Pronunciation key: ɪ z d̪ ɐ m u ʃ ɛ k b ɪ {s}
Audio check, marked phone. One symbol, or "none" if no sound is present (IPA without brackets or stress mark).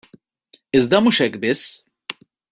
s